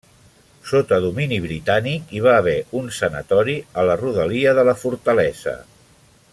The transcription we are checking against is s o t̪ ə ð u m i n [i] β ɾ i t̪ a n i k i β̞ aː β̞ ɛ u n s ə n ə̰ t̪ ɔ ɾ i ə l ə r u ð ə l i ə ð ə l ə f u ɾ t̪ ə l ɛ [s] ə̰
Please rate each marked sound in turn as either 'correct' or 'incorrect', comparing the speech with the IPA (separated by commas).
correct, incorrect